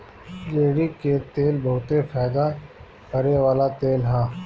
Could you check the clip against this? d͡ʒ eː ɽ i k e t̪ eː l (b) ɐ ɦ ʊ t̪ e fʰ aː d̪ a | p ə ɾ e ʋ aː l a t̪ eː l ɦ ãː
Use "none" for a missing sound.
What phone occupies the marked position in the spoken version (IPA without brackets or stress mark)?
b